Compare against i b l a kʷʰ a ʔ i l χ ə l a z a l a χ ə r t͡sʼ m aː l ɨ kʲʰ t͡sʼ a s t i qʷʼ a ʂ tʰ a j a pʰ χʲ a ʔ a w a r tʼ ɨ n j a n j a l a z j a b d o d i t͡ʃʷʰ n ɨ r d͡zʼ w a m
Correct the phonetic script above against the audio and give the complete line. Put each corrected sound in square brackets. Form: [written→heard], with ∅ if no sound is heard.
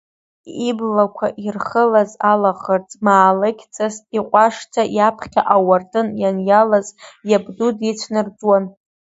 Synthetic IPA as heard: i b l a kʷʰ a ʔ i [l→r] χ ə l a z a l a χ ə r t͡sʼ m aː l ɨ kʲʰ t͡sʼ a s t i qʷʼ a ʂ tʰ a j a pʰ χʲ a ʔ a w a r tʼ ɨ n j a n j a l a z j a b d [o→u] d i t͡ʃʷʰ n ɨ r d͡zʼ w a [m→n]